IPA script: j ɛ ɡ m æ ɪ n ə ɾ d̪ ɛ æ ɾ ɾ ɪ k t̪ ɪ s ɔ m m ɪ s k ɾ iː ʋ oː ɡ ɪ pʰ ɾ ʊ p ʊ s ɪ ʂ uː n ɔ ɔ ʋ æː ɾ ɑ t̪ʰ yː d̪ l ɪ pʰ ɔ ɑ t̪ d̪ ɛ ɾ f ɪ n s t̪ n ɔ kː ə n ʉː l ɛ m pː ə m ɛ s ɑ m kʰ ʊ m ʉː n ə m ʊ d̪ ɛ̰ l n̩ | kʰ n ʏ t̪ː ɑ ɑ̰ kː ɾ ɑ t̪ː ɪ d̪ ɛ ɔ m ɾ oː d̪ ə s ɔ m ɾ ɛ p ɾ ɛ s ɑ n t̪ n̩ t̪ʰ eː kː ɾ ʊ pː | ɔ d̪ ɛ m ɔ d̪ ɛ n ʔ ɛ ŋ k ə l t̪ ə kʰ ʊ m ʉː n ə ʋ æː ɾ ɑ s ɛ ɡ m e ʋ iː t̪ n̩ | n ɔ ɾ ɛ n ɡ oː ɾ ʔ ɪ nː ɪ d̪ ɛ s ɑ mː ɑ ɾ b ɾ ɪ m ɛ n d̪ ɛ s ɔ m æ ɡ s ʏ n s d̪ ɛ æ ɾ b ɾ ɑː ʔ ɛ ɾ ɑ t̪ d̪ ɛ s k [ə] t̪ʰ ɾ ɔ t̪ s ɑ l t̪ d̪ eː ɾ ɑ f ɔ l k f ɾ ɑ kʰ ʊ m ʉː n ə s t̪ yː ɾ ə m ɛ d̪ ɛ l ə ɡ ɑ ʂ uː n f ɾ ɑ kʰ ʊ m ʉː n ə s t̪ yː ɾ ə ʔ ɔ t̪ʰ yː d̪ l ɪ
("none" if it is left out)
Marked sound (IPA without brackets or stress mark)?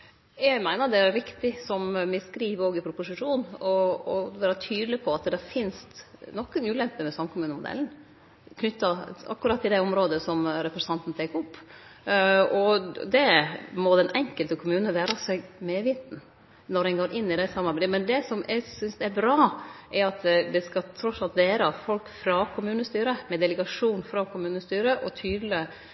ɑ